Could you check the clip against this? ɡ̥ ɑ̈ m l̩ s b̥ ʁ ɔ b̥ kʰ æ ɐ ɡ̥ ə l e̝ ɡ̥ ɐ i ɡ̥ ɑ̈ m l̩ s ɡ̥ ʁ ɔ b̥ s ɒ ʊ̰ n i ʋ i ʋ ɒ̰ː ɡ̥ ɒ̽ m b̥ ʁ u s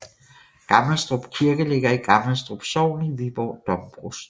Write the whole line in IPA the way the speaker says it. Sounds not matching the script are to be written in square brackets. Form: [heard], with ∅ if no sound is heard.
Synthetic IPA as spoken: ɡ̥ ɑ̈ m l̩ s [d̥] ʁ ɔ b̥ kʰ [i] ɐ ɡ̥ ə l e̝ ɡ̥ ɐ i ɡ̥ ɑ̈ m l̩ s [d̥] ʁ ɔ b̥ s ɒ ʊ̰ n i ʋ i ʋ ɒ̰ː [d̥] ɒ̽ m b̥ ʁ u s